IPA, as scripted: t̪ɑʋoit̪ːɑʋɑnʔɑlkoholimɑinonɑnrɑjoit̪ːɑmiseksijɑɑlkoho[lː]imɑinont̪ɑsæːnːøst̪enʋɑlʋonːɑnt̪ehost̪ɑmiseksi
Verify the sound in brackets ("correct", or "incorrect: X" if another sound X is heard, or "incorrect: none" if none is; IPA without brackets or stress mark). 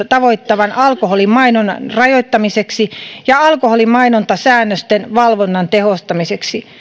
incorrect: l